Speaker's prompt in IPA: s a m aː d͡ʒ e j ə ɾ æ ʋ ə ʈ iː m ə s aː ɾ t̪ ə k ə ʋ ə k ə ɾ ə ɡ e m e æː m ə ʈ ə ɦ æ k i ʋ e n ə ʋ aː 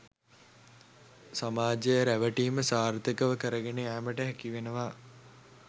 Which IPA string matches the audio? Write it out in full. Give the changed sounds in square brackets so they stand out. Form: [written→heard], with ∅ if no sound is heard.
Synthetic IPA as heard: s a m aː d͡ʒ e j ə ɾ æ ʋ ə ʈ iː m ə s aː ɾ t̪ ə k ə ʋ ə k ə ɾ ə ɡ e [m→n] e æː m ə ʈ ə ɦ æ k i ʋ e n ə ʋ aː